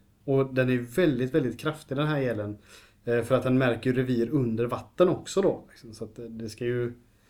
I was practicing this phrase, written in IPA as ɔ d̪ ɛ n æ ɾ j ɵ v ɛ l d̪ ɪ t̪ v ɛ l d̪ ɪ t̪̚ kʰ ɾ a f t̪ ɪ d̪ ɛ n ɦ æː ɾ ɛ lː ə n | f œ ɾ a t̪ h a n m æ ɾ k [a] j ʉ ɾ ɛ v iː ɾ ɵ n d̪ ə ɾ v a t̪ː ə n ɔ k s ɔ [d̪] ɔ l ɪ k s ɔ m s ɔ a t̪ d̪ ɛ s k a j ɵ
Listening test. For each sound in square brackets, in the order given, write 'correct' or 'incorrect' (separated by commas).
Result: incorrect, correct